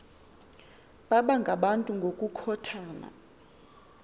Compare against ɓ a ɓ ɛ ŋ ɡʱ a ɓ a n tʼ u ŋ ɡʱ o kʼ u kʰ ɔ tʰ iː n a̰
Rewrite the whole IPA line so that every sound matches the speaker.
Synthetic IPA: ɓ a ɓ a ŋ ɡʱ a ɓ a n tʼ u ŋ ɡʱ o kʼ u kʰ ɔ tʰ aː n a̰